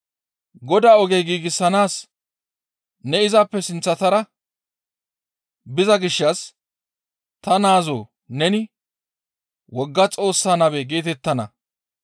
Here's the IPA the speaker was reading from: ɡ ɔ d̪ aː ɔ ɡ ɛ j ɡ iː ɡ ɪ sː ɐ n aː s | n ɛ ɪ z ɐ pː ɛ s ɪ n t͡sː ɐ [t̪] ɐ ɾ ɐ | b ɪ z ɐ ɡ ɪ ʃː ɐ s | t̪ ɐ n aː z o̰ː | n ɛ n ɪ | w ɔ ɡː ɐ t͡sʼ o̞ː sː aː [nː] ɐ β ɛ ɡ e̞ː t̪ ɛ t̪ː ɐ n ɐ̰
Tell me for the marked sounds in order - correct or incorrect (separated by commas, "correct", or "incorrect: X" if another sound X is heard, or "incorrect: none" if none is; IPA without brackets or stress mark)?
correct, incorrect: n